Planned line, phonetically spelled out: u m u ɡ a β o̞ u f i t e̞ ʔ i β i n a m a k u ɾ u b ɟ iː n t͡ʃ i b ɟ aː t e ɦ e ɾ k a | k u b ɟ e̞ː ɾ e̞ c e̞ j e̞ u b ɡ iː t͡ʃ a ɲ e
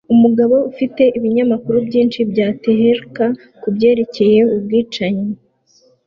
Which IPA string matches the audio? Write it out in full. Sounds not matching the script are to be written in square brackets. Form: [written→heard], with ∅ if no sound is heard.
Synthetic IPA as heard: u m u ɡ a β o̞ u f i t e̞ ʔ i β i [n→ɲ] a m a k u ɾ u b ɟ iː n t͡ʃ i b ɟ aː t e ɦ e ɾ k a | k u b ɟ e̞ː ɾ e̞ c e̞ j e̞ u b ɡ iː t͡ʃ a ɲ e